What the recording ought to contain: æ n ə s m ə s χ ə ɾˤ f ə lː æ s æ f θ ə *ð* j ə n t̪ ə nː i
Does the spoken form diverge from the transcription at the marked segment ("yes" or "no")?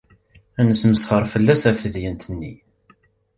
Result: no